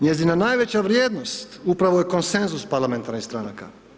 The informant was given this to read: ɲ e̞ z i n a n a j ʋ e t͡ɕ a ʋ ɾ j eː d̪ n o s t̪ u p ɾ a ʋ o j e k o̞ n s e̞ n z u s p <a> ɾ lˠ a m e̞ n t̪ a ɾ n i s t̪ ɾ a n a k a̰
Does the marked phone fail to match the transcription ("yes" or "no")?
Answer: no